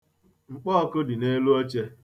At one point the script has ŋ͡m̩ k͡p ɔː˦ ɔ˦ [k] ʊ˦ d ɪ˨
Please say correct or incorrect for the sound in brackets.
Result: correct